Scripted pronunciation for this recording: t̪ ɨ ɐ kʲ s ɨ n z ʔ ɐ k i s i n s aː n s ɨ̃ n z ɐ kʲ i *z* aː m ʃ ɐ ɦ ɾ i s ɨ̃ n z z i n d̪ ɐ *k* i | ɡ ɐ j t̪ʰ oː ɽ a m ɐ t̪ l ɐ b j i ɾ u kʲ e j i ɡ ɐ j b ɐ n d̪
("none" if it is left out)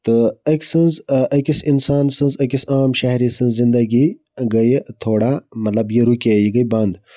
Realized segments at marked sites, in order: s, ɡ

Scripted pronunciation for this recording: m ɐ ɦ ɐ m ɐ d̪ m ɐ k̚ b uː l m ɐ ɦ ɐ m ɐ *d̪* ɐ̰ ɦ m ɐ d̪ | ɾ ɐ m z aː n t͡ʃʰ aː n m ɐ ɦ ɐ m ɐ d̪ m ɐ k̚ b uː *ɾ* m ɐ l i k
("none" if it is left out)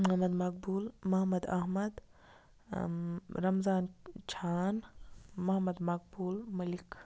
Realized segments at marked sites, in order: d̪, l

